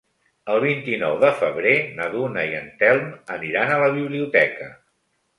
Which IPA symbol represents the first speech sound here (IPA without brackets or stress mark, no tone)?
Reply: ə